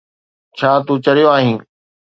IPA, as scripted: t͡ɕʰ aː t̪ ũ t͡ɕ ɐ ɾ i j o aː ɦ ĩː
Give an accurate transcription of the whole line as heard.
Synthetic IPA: t͡ɕʰ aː t̪ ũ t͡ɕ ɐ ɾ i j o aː ɦ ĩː